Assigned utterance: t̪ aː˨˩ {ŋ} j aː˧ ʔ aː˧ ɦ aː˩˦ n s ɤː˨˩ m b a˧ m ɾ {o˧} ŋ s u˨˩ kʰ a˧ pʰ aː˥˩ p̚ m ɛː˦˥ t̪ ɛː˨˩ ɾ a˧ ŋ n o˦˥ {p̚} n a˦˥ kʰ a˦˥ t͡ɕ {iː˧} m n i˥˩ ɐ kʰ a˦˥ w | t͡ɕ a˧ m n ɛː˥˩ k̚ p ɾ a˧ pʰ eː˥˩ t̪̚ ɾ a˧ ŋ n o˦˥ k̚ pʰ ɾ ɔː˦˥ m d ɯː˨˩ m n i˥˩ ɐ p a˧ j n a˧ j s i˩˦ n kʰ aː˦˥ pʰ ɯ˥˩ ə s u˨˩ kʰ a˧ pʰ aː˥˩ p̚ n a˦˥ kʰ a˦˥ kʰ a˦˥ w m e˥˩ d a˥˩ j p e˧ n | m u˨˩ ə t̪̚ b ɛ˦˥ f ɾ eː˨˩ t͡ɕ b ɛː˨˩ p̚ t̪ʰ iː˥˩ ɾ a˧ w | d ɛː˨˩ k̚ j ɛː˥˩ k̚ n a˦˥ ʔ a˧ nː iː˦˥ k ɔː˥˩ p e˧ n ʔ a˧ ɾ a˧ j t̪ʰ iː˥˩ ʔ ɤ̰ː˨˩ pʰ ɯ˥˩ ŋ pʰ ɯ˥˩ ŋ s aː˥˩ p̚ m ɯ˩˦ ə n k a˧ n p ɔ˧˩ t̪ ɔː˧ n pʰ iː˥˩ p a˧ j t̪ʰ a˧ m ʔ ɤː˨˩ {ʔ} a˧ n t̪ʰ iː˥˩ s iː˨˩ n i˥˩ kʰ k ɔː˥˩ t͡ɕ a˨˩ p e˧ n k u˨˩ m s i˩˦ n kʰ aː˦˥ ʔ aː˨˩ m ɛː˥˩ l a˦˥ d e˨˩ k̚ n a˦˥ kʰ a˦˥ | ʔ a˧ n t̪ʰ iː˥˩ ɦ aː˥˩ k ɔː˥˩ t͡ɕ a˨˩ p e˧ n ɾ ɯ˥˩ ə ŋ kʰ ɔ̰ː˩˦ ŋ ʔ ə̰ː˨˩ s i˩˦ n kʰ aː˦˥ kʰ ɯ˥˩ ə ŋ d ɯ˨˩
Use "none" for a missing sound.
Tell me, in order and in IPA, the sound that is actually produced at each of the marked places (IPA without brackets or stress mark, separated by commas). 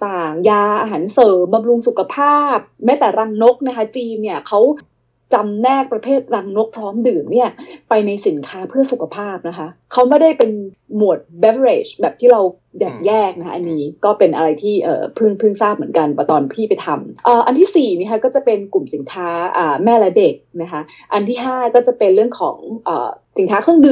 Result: ŋ, u˧, k̚, iː˧, ʔ